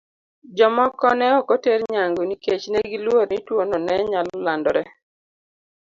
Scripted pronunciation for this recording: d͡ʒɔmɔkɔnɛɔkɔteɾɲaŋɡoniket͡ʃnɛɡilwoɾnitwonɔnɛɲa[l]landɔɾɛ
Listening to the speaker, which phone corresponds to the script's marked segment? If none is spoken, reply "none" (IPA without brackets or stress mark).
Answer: l